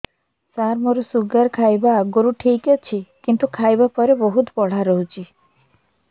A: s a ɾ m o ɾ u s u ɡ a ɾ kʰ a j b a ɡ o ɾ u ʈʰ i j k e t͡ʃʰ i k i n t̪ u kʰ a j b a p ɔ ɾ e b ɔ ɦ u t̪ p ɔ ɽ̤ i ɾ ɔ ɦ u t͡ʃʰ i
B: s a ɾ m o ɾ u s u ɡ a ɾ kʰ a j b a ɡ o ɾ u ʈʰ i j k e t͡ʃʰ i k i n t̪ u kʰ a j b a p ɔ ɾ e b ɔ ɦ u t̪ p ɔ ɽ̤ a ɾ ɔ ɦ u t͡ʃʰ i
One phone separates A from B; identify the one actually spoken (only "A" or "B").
B